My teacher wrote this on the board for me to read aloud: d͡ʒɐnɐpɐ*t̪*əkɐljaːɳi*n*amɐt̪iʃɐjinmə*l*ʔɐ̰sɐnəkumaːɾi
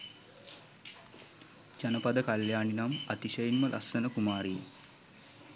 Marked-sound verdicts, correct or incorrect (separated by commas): incorrect, correct, correct